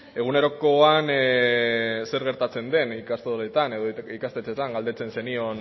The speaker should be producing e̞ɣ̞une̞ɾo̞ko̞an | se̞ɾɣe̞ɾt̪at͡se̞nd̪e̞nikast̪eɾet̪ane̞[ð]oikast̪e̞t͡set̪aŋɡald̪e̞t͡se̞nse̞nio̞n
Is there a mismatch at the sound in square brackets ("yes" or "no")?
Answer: no